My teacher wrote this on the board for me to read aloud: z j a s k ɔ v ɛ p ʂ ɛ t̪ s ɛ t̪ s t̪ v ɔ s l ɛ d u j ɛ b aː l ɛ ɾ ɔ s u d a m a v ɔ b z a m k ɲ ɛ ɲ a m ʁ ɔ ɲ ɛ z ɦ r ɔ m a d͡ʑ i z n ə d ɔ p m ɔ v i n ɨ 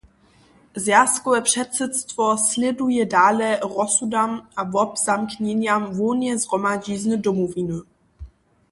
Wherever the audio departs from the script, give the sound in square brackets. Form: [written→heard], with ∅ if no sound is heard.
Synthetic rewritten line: z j a s k ɔ v ɛ p ʂ ɛ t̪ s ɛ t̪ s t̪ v ɔ s l ɛ d u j ɛ [b→d] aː l ɛ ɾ ɔ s u d a m a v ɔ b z a m k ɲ ɛ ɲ a m [ʁ→v] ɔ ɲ ɛ z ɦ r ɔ m a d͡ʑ i z n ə d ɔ [p→∅] m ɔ v i n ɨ

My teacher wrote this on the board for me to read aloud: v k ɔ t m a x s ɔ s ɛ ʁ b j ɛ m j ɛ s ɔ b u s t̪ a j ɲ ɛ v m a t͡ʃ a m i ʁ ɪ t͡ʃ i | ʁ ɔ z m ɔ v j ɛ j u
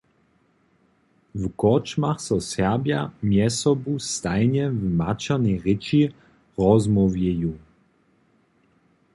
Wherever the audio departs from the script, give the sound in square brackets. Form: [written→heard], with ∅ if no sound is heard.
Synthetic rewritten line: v k ɔ [t→t͡ʃ] m a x s ɔ s ɛ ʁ b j [ɛ→a] m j ɛ s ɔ b u s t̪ a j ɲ ɛ v m a t͡ʃ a [m→n] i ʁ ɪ t͡ʃ i | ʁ ɔ z m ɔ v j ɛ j u

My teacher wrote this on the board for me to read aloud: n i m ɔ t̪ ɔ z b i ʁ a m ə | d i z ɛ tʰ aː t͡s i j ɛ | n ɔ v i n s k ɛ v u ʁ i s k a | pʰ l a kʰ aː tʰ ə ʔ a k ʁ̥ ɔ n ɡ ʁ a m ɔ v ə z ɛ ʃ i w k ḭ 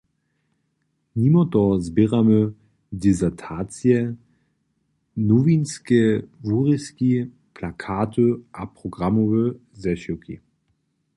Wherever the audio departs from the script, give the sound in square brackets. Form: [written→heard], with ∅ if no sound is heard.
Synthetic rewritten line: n i m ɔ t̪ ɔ z b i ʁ a m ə | d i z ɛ tʰ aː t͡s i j ɛ | n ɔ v i n s k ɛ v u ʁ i s k [a→i] | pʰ l a kʰ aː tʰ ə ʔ a [k→p] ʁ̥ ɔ [n→∅] ɡ ʁ a m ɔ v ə z ɛ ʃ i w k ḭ

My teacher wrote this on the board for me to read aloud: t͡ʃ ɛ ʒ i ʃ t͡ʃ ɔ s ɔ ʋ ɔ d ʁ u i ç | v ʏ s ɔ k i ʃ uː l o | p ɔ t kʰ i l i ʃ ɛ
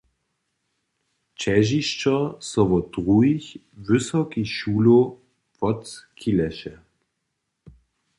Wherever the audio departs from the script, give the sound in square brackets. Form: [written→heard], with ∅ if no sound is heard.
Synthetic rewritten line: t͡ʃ ɛ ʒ i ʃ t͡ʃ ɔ s ɔ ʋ ɔ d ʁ u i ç | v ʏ s ɔ k i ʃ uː l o | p ɔ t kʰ i l [i→ɛ] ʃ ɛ

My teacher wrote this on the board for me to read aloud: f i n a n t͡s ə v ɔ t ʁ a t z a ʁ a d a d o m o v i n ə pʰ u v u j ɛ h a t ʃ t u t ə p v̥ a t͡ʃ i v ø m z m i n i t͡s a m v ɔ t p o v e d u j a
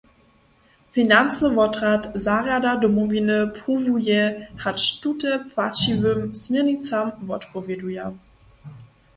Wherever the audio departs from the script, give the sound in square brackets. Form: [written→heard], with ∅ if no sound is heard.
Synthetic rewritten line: f i n a n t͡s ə v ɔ t ʁ a t z a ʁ a d a d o m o v i n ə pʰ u v u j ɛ h a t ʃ t u t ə p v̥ a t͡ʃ i v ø m [z→s] m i n i t͡s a m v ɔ t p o v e d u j a

